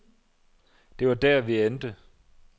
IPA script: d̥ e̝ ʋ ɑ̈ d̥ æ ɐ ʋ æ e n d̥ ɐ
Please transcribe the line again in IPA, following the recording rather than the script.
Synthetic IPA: d̥ e̝ ʋ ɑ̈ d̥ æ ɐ ʋ i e n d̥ ə